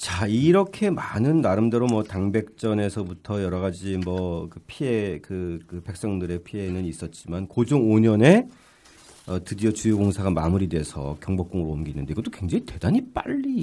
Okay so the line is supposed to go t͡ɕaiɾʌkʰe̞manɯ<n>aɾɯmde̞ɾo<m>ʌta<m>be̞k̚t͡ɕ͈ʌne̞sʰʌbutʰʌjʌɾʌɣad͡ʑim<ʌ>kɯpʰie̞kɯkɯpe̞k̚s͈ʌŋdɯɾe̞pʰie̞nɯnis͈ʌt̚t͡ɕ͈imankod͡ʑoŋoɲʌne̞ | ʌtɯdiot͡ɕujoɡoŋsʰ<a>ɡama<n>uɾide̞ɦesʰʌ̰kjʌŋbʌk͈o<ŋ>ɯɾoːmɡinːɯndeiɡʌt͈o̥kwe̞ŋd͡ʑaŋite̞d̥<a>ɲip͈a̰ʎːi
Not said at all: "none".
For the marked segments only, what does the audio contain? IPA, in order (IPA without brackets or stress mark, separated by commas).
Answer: nː, m, ŋ, ʌ, a, m, ŋ, a